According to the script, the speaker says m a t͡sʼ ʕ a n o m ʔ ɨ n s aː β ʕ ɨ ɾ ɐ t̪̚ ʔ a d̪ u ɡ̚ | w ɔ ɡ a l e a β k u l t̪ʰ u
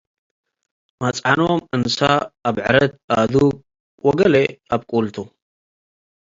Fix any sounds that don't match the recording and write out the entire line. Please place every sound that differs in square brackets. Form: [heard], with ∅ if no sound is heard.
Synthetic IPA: m a t͡sʼ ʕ a n o m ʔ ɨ n s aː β ʕ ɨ ɾ ɐ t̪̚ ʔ a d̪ u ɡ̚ | w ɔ ɡ [ɐ] l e a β [kʼ] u l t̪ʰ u